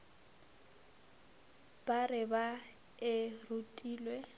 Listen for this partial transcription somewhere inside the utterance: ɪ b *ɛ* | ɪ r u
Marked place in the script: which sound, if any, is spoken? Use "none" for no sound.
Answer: a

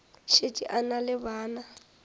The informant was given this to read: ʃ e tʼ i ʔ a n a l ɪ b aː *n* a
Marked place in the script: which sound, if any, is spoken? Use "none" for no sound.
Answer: n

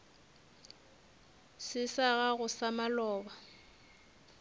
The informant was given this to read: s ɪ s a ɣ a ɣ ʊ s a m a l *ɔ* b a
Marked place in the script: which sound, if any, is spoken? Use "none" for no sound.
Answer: ɔː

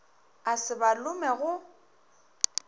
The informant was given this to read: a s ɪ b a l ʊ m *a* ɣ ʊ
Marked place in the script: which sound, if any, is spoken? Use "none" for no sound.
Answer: ɛ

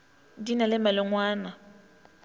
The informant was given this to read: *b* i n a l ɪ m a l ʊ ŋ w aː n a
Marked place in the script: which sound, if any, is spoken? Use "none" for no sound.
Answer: d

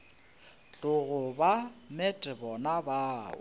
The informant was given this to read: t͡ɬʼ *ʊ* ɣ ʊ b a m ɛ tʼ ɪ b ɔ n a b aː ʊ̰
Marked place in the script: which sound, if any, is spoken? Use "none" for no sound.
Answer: ʊ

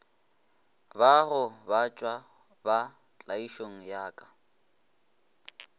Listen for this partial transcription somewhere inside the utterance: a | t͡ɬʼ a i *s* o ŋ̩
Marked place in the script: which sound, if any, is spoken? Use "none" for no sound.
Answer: ʃ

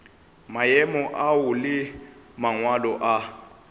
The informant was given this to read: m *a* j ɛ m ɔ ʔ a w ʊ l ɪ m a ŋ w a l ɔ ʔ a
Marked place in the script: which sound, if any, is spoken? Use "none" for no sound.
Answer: a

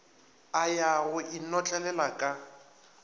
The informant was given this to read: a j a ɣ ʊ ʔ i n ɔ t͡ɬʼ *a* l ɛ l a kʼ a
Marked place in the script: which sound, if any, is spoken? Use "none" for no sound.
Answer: ɛ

